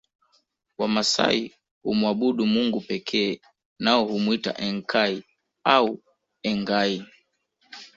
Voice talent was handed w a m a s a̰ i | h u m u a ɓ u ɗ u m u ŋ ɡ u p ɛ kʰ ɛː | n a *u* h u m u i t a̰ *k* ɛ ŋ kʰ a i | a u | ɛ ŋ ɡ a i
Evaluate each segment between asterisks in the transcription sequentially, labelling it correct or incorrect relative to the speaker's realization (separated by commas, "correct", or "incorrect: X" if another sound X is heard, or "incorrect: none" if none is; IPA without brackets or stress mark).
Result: incorrect: ɔ, incorrect: ʔ